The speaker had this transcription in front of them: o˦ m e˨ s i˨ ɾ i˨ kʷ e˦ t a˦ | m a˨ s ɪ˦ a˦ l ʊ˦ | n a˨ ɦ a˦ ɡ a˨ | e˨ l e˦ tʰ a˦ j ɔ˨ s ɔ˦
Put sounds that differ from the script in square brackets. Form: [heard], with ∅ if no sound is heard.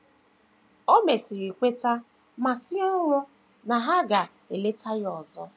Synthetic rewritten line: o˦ m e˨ s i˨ ɾ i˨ kʷ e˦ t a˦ | m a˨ s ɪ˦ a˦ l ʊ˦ | n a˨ ɦ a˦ ɡ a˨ | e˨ l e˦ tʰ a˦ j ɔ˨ [z] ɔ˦